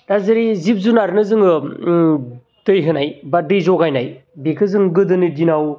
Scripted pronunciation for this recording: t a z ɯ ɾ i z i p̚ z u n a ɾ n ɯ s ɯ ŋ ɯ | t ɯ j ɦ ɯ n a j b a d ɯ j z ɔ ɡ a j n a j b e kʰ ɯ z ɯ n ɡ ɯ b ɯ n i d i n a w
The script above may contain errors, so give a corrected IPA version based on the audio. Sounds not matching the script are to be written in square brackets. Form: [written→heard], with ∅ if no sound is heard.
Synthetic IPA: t a z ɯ ɾ i z i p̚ z u n a ɾ n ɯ [s→z] ɯ ŋ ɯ | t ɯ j ɦ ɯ n a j b a d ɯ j z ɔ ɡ a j n a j b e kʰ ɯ z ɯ [n→ŋ] ɡ ɯ [b→d] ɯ n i d i n a w